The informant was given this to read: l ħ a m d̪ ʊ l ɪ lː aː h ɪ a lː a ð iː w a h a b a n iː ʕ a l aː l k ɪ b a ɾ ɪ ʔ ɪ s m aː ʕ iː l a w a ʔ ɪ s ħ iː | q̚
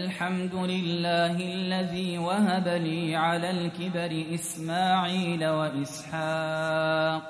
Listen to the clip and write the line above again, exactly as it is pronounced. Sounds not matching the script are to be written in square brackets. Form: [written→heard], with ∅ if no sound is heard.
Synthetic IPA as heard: l ħ a m d̪ ʊ l ɪ lː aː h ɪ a lː a ð iː w a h a b a n iː ʕ a l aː l k ɪ b a ɾ ɪ ʔ ɪ s m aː ʕ iː l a w a ʔ ɪ s ħ [iː→aː] | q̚